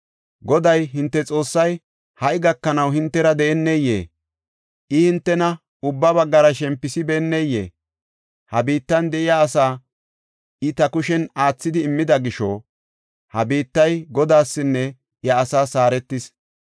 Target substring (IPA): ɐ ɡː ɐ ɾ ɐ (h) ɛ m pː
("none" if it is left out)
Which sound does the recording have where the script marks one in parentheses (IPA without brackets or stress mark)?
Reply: ʃ